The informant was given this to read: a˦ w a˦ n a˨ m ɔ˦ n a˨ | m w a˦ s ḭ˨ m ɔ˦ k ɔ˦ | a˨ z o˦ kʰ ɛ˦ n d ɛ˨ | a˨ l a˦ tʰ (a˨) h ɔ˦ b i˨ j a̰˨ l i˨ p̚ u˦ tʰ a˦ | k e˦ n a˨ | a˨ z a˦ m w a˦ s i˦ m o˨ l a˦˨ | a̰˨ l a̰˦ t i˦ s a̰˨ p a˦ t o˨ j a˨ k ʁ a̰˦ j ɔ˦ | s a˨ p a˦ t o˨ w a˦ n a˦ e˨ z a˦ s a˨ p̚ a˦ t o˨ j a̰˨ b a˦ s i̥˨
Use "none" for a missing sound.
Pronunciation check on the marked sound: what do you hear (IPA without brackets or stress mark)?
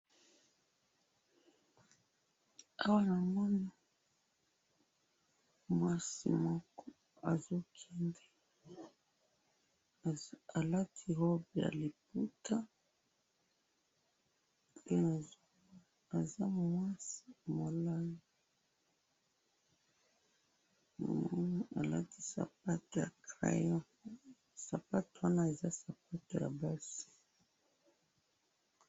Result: i˨